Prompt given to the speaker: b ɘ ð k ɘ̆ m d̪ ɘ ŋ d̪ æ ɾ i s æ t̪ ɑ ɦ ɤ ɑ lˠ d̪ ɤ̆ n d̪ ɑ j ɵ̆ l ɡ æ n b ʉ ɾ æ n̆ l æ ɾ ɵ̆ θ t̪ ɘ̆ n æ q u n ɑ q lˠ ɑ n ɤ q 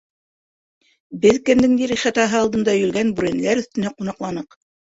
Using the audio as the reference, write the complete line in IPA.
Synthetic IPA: b ɘ ð k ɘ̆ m d̪ ɘ ŋ d̪ i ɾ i χ æ t̪ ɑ ɦ ɤ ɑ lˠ d̪ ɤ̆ n d̪ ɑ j ɵ̆ l ɡ æ n b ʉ ɾ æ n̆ l æ ɾ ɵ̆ θ t̪ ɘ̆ n æ q u n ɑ q lˠ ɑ n ɤ q